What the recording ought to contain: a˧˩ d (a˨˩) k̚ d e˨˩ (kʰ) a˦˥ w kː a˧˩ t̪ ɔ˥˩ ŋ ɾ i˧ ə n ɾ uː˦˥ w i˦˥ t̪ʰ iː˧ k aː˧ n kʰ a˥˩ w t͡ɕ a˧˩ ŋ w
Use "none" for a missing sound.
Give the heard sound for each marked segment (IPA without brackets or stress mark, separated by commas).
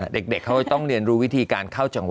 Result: e˨˩, kʰ